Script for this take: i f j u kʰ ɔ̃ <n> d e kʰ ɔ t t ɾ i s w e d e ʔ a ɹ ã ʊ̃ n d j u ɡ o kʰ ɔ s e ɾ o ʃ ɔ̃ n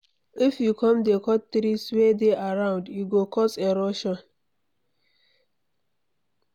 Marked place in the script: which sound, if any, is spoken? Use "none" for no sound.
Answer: m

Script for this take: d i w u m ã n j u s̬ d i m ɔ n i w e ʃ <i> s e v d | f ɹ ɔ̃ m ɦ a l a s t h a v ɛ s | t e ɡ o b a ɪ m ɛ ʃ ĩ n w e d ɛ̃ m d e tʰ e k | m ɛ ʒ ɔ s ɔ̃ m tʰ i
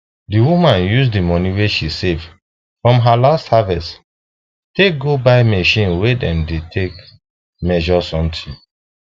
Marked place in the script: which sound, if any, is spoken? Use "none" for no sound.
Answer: i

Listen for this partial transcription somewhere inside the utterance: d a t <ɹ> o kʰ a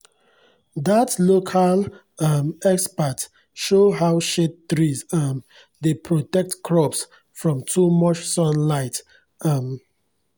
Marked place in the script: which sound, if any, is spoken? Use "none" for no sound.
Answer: l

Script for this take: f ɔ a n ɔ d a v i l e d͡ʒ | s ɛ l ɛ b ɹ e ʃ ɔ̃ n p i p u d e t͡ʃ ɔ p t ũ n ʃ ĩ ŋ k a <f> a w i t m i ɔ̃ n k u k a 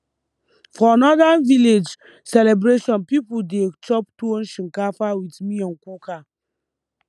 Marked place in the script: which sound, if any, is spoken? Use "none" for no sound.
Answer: f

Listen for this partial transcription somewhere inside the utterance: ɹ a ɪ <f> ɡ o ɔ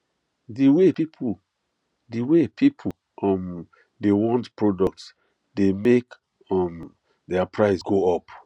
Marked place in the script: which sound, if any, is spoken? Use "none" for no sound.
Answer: s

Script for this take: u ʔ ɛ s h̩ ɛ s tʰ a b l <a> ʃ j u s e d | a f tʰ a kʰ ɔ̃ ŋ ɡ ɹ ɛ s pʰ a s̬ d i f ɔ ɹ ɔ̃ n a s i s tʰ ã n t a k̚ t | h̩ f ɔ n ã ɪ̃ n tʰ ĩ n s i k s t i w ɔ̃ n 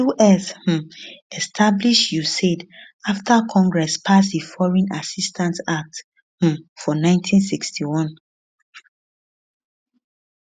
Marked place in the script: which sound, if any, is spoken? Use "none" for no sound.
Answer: i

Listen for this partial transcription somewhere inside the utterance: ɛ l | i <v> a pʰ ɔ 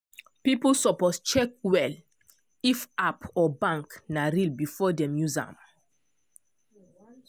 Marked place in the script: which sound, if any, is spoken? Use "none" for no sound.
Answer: f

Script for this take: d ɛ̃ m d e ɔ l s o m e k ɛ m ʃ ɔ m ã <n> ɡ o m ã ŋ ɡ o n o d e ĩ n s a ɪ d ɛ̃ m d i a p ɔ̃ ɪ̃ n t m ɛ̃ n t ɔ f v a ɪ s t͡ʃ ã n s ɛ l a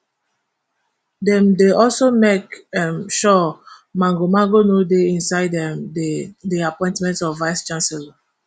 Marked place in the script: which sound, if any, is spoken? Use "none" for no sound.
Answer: ŋ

